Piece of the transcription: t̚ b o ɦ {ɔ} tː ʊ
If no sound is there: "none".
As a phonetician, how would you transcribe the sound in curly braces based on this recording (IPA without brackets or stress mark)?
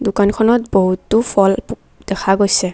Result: u